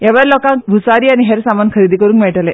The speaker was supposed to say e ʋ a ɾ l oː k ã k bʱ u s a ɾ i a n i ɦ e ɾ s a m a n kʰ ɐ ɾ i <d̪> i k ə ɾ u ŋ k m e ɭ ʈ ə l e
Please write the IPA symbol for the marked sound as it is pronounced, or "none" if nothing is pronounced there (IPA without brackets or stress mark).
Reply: d̪